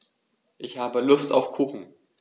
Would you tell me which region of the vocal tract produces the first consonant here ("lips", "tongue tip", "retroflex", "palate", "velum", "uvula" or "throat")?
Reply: throat